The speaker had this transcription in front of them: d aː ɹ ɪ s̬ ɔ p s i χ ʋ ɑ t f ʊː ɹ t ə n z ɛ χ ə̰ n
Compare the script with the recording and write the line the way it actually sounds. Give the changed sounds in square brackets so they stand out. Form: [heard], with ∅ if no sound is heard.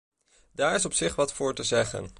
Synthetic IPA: d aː ɹ ɪ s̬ ɔ p s [ɪ] χ ʋ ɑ t f ʊː ɹ t ə [∅] z ɛ χ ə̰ n